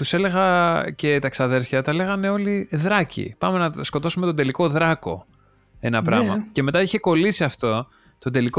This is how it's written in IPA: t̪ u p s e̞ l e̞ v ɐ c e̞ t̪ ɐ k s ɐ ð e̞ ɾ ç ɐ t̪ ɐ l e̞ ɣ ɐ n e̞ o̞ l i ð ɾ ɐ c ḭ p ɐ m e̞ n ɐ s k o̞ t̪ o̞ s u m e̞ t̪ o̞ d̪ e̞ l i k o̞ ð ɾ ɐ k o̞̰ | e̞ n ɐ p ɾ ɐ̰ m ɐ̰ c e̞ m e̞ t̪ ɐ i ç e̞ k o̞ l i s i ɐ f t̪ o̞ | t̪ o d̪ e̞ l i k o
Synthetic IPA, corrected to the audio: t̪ u s e̞ l e̞ ɣ ɐ c e̞ t̪ ɐ k s ɐ ð e̞ ɾ ç ɐ t̪ ɐ l e̞ ɣ ɐ n e̞ o̞ l i ð ɾ ɐ c ḭ p ɐ m e̞ n ɐ s k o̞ t̪ o̞ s u m e̞ t̪ o̞ d̪ e̞ l i k o̞ ð ɾ ɐ k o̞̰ | e̞ n ɐ p ɾ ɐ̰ m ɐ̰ c e̞ m e̞ t̪ ɐ i ç e̞ k o̞ l i s i ɐ f t̪ o̞ | t̪ o d̪ e̞ l i k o